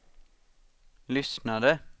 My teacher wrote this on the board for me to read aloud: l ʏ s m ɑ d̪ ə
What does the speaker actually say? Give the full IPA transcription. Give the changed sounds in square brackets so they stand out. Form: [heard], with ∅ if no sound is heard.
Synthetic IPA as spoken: l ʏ s [n] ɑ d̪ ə